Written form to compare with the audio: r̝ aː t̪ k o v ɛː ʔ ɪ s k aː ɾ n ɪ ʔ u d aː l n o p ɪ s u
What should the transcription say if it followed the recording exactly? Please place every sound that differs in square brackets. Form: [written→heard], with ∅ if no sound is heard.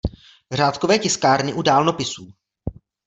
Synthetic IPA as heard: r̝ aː t̪ k o v ɛː [ʔ→c] ɪ s k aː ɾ n ɪ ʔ u d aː l n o p ɪ s [u→uː]